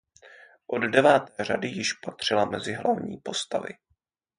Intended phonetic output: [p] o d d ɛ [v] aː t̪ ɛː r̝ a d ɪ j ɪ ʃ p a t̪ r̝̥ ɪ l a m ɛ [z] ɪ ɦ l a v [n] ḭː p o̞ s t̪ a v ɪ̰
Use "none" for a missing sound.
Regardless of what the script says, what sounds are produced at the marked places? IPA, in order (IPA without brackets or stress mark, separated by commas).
ʔ, v, z, ɲ